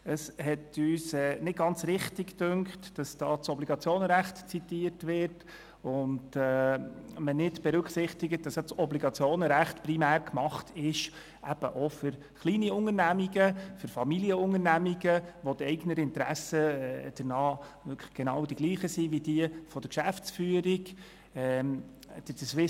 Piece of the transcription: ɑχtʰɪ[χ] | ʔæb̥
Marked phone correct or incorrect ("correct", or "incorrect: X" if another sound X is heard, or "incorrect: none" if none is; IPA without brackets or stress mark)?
incorrect: ʃ